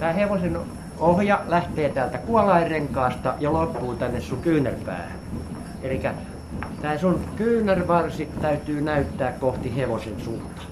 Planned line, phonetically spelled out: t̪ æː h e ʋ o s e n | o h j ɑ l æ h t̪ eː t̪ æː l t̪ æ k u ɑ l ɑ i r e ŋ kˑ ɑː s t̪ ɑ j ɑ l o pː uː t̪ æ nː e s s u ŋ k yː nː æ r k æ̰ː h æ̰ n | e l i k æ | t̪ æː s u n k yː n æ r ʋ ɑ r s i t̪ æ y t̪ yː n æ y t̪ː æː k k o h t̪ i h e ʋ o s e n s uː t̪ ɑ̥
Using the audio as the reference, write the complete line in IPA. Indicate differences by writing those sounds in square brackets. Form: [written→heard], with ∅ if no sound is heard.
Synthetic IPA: t̪ æː h e ʋ o s e n | o h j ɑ l æ h t̪ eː t̪ æː l t̪ æ k u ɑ l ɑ i r e ŋ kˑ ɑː s t̪ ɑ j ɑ l o pː uː t̪ æ nː e s s u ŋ k yː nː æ r [k→p] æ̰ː h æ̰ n | e l i k æ | t̪ æː s u n k yː n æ r ʋ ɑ r s i t̪ æ y t̪ yː n æ y t̪ː æː k k o h t̪ i h e ʋ o s e n s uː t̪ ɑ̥